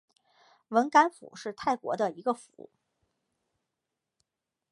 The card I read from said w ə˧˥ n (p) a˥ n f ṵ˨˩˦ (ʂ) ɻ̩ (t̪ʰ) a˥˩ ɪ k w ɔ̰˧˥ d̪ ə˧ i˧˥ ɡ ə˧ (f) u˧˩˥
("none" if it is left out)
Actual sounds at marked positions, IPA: k, ʂ, t̪ʰ, f

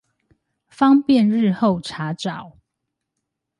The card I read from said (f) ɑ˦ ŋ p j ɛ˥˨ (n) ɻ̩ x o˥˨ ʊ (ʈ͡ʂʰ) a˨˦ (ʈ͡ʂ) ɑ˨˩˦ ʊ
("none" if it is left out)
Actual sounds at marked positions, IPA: f, n, ʈ͡ʂʰ, ʈ͡ʂ

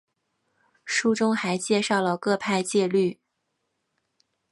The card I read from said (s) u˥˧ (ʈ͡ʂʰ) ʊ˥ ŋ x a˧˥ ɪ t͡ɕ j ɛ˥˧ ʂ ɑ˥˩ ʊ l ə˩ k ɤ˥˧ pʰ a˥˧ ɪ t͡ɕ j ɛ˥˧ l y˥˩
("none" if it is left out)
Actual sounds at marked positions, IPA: ʂ, ʈ͡ʂ

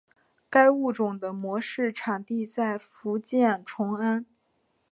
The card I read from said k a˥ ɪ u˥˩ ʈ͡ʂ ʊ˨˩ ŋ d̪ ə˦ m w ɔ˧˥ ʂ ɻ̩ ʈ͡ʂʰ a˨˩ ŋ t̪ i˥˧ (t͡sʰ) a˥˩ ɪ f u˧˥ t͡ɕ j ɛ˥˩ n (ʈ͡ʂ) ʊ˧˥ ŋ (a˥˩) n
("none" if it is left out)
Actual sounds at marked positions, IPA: t͡s, ʈ͡ʂʰ, a˥

